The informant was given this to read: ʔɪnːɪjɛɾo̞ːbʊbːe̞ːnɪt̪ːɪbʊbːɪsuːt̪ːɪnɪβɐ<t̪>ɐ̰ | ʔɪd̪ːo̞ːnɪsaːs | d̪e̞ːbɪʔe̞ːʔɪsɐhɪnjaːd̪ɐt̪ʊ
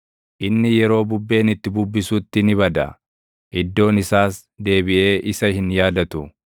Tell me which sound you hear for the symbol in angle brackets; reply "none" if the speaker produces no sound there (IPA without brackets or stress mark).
d̪